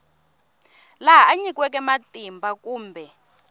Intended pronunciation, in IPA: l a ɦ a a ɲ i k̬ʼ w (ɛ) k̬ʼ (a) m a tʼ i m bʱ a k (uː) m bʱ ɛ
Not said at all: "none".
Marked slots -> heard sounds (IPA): ɛ, ɛ, uː

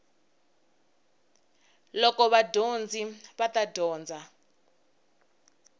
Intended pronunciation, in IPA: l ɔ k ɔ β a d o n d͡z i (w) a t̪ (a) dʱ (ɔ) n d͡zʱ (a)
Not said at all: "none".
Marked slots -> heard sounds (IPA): β, a, ɔː, a

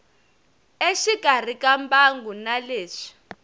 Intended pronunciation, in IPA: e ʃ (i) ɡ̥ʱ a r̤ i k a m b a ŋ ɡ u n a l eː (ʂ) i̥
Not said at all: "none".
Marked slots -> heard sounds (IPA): i, ʂ

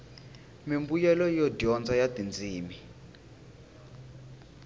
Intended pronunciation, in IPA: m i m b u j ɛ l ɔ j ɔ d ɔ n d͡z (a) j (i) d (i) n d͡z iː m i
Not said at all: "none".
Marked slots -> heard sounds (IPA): a, a, i

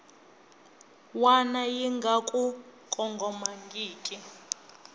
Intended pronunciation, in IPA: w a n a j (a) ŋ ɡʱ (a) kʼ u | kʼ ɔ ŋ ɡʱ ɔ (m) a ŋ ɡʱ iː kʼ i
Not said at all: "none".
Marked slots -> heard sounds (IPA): i, a, m

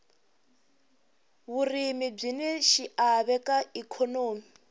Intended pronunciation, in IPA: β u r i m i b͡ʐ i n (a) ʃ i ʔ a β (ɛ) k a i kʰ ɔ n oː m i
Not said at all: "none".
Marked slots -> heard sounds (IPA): ɛ, ɛ

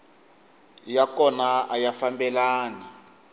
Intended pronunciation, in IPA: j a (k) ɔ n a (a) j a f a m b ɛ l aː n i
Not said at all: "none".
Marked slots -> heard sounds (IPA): k, a

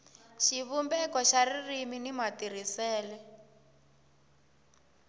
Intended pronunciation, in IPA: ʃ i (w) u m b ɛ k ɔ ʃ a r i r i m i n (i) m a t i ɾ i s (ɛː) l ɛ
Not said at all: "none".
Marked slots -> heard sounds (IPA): β, i, ɛː

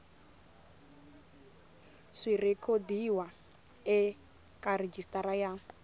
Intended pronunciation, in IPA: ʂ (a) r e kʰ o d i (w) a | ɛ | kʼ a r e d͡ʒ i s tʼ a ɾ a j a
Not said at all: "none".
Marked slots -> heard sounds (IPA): i, w

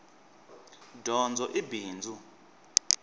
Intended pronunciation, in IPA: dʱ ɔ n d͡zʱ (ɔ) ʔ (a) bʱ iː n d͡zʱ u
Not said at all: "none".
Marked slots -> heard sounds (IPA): ɔ, i

